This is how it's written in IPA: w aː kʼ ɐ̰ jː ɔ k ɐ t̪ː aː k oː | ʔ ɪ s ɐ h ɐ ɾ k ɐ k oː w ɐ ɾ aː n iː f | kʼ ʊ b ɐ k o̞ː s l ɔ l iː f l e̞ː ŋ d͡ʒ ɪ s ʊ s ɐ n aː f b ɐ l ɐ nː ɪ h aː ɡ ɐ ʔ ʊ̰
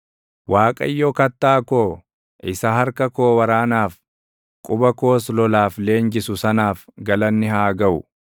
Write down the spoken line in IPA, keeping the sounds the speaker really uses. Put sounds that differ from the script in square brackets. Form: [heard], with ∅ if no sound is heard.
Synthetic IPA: w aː kʼ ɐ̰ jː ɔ k ɐ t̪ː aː k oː | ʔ ɪ s ɐ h ɐ ɾ k ɐ k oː w ɐ ɾ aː n [aː] f | kʼ ʊ b ɐ k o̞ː s l ɔ l [aː] f l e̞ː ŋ d͡ʒ ɪ s ʊ s ɐ n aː f [ɡ] ɐ l ɐ nː ɪ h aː ɡ ɐ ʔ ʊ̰

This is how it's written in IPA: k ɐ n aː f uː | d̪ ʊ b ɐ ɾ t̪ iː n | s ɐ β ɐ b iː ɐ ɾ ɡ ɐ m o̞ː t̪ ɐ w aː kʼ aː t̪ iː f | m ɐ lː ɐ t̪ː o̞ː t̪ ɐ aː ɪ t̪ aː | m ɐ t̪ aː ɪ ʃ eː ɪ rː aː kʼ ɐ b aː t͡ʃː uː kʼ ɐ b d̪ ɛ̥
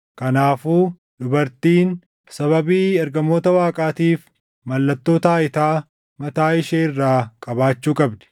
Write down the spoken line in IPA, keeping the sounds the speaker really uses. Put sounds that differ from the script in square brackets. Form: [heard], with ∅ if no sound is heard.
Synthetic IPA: k ɐ n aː f uː | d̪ ʊ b ɐ ɾ t̪ iː n | s ɐ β ɐ b iː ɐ ɾ ɡ ɐ m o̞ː t̪ ɐ w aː kʼ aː t̪ iː f | m ɐ lː ɐ t̪ː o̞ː t̪ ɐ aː ɪ t̪ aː | m ɐ t̪ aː ɪ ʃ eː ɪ rː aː kʼ ɐ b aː t͡ʃː uː kʼ ɐ b d̪ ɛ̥

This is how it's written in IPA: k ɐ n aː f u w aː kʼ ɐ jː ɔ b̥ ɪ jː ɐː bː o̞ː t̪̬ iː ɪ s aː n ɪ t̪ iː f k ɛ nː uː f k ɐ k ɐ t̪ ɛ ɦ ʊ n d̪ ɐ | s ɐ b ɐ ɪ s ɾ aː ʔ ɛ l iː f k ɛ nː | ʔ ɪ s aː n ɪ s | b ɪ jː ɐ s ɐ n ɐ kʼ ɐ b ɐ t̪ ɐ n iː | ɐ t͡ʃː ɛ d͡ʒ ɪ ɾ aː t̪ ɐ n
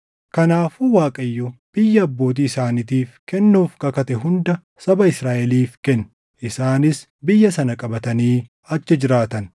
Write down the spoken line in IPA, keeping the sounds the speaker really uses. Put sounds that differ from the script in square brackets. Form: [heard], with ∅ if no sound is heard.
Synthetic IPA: k ɐ n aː f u w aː kʼ ɐ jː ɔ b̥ ɪ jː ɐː bː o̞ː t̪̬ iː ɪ s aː n ɪ t̪ iː f k ɛ nː uː f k ɐ k ɐ t̪ ɛ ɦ ʊ n d̪ ɐ | s ɐ b ɐ ɪ s ɾ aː ʔ ɛ l iː f k ɛ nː | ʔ ɪ s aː n ɪ s | b ɪ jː ɐ s ɐ n ɐ kʼ ɐ b ɐ t̪ ɐ n iː | ɐ t͡ʃː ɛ d͡ʒ ɪ ɾ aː t̪ ɐ n

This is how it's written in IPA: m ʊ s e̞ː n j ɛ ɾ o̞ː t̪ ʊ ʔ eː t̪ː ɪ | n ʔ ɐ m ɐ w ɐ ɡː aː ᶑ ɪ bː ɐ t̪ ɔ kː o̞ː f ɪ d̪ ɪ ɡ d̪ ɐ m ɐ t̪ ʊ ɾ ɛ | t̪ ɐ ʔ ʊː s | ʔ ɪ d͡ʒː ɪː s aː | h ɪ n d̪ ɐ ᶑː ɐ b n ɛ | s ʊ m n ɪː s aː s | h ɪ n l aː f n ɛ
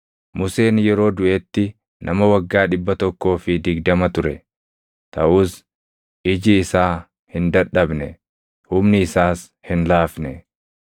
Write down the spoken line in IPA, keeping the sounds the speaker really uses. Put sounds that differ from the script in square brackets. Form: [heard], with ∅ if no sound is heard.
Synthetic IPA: m ʊ s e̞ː n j ɛ ɾ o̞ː [d̪] ʊ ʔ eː t̪ː ɪ | n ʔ ɐ m ɐ w ɐ ɡː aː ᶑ ɪ bː ɐ t̪ ɔ kː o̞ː f ɪ d̪ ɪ ɡ d̪ ɐ m ɐ t̪ ʊ ɾ ɛ | t̪ ɐ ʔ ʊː s | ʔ ɪ [d͡ʒ] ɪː s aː | h ɪ n d̪ ɐ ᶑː ɐ b n ɛ | [h] ʊ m n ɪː s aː s | h ɪ n l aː f n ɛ

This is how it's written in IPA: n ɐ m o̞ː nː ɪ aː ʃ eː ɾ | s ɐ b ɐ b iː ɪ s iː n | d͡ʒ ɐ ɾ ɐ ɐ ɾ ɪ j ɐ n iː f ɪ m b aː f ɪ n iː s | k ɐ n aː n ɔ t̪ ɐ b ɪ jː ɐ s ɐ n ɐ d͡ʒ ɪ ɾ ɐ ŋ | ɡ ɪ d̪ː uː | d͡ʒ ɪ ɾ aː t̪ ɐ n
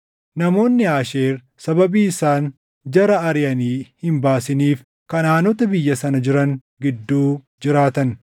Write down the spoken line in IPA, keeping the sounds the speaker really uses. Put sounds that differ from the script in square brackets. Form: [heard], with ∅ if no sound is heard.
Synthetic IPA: n ɐ m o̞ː nː ɪ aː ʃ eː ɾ | s ɐ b ɐ b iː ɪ s [aː] n | d͡ʒ ɐ ɾ ɐ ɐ ɾ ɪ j ɐ n iː [h] ɪ m b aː [s] ɪ n iː [f] | k ɐ n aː n ɔ t̪ ɐ b ɪ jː ɐ s ɐ n ɐ d͡ʒ ɪ ɾ ɐ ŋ | ɡ ɪ d̪ː uː | d͡ʒ ɪ ɾ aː t̪ ɐ n

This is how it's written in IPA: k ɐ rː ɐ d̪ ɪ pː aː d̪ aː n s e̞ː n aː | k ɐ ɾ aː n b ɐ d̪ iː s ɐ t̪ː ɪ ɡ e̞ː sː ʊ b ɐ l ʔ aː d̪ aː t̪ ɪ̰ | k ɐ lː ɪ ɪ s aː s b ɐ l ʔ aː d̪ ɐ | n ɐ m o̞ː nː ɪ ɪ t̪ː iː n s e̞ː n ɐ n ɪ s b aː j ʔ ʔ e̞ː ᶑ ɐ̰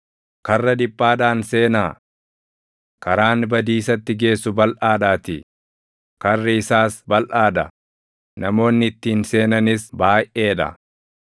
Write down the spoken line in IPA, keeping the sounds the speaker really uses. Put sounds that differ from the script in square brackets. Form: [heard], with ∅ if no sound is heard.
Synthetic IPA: k ɐ rː ɐ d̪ ɪ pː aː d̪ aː n s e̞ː n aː | k ɐ ɾ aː n b ɐ d̪ iː s ɐ t̪ː ɪ ɡ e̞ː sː ʊ b ɐ l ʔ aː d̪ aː t̪ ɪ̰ | k ɐ [rː] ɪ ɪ s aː s b ɐ l ʔ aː d̪ ɐ | n ɐ m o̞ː nː ɪ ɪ t̪ː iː n s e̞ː n ɐ n ɪ s b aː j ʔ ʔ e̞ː ᶑ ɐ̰

